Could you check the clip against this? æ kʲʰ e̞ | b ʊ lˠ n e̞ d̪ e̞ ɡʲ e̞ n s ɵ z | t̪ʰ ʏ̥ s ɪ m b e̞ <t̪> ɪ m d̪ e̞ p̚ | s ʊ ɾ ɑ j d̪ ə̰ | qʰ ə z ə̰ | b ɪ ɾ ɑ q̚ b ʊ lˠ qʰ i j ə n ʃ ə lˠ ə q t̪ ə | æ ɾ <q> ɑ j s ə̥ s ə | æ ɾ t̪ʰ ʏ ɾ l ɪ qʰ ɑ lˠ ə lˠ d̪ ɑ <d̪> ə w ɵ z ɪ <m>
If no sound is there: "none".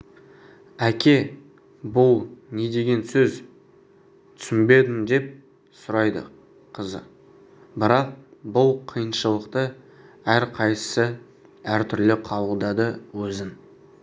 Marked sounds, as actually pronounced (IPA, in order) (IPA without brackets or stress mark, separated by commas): d̪, qʰ, d̪, n